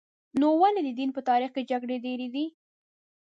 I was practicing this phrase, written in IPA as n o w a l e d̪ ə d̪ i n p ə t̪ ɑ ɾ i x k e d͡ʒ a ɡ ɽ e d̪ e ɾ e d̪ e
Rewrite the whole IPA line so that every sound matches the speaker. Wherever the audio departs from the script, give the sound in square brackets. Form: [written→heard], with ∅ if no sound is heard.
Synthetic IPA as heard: n o w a l e d̪ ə d̪ i n p ə t̪ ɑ ɾ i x k e d͡ʒ a ɡ ɽ e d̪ e ɾ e d̪ [e→i]

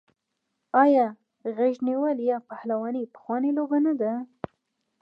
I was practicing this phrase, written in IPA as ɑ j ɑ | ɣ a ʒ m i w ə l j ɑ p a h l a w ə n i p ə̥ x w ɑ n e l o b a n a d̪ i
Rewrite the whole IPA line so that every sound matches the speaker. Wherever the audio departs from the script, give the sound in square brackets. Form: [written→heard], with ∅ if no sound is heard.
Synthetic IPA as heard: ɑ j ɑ | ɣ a ʒ [m→n] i w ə l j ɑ p a h l a w [ə→ɑ] n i p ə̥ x w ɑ n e l o b a n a d̪ [i→a]

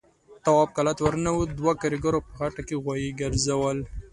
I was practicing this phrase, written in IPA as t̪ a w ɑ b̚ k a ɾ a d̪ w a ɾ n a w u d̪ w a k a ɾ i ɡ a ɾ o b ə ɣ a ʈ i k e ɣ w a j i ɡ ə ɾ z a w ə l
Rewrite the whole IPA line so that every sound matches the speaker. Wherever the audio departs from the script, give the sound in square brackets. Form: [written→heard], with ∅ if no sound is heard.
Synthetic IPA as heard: t̪ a w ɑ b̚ k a [ɾ→l] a [d̪→t̪] w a ɾ n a w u d̪ w a k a ɾ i ɡ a ɾ o [b→p] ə ɣ a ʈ [i→a] k e ɣ w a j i ɡ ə ɾ z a w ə l

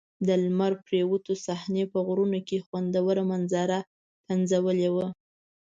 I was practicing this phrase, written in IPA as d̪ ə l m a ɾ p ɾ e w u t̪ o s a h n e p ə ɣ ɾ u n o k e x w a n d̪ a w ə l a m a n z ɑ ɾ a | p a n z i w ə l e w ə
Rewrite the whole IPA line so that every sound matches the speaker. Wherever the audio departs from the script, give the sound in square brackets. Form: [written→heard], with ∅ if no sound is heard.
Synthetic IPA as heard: d̪ ə l m a ɾ p ɾ e w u t̪ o s a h n e p ə ɣ ɾ u n o k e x w a n d̪ a w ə [l→ɾ] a m a n z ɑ ɾ a | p a n z [i→a] w ə l e w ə

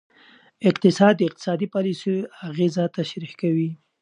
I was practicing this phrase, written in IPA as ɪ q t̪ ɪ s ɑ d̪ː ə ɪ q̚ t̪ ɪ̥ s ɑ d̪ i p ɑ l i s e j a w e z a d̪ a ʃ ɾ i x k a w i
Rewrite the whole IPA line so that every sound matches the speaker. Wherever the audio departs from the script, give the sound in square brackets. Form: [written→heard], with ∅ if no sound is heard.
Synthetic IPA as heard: ɪ q t̪ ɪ s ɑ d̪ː ə ɪ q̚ t̪ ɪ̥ s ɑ d̪ i p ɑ l i s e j a [w→ɣ] e z a [d̪→t̪] a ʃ ɾ i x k a w i

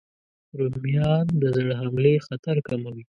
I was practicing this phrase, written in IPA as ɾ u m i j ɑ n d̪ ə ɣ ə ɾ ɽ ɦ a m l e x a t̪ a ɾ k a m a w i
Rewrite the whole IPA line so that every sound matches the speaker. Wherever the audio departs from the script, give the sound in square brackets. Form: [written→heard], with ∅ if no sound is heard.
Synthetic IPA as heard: ɾ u m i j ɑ n d̪ ə [ɣ→z] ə [ɾ→∅] ɽ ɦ a m l e x a t̪ a ɾ k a m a w i

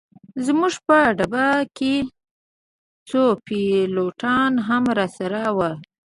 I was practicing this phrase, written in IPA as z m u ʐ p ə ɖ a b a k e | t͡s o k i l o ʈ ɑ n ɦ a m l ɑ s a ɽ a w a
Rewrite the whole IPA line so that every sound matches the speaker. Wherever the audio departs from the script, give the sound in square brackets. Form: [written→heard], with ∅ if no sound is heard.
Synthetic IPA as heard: z m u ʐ p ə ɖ a b a k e | t͡s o [k→p] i l o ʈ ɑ n ɦ a m [l→ɾ] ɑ s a [ɽ→ɾ] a w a

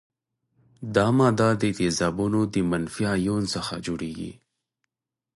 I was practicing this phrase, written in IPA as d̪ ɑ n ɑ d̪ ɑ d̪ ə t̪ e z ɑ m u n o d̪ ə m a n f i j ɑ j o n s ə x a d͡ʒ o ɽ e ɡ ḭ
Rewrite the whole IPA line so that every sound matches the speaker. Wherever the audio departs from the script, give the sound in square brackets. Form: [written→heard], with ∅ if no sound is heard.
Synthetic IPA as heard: d̪ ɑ [n→m] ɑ d̪ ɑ d̪ ə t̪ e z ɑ [m→b] u n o d̪ ə m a n f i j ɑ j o n s ə x a d͡ʒ o ɽ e ɡ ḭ

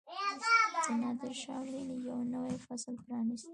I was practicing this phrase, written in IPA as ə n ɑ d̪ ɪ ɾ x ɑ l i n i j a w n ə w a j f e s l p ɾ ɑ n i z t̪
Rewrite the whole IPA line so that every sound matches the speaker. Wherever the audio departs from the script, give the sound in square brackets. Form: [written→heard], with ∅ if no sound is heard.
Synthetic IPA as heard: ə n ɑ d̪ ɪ ɾ [x→ʃ] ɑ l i n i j a w n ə w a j f [e→a] s l p ɾ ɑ n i [z→s] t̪

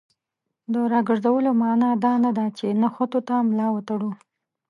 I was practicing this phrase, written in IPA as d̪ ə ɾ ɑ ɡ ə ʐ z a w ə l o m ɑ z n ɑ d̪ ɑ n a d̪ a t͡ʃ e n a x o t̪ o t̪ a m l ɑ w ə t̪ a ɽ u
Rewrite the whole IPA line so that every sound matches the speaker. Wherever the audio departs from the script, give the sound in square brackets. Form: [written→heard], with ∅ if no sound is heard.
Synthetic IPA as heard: d̪ ə ɾ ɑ ɡ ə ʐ z a w ə l o m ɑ [z→∅] n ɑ d̪ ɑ n a d̪ a t͡ʃ e n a x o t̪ o t̪ a m l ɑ w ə t̪ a ɽ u

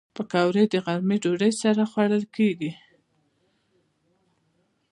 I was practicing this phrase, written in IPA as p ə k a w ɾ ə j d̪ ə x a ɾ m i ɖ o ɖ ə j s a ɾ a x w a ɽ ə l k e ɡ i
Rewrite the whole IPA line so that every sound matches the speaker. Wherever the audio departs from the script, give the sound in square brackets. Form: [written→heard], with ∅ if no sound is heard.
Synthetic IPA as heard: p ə k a w ɾ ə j d̪ ə [x→ɣ] a ɾ m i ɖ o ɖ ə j s a ɾ a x w a ɽ ə l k e ɡ i

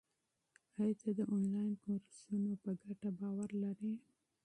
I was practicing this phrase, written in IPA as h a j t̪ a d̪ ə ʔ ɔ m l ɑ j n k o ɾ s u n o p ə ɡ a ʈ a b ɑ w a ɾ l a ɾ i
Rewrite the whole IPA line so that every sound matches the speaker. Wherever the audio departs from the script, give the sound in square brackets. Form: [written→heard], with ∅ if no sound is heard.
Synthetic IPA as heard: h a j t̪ a d̪ ə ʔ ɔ [m→n] l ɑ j n k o ɾ s u n o p ə ɡ a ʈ a b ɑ w a ɾ l a ɾ i

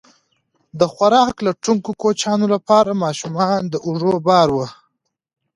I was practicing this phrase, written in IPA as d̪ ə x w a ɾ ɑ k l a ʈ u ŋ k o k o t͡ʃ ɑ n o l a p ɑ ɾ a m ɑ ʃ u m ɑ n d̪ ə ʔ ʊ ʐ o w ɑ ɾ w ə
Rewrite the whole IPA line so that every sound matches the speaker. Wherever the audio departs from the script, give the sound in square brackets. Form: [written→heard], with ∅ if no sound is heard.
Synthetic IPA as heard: d̪ ə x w a ɾ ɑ k l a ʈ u ŋ k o k o t͡ʃ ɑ n o l a p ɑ ɾ a m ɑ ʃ u m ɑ n d̪ ə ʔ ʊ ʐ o [w→b] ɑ ɾ w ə

